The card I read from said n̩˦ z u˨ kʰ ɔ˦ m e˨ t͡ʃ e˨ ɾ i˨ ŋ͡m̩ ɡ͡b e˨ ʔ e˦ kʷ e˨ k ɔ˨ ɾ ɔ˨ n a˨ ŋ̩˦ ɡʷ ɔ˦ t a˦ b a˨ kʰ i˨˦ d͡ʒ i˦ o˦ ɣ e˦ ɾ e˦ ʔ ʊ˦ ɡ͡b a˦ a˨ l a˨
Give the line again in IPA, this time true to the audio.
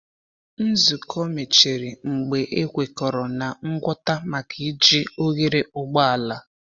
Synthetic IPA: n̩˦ z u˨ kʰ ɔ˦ m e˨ t͡ʃ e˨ ɾ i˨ ŋ͡m̩ ɡ͡b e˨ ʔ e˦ kʷ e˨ k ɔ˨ ɾ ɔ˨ n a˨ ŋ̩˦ ɡʷ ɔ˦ t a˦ m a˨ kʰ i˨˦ d͡ʒ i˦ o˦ ɣ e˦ ɾ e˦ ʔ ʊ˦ ɡ͡b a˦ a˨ l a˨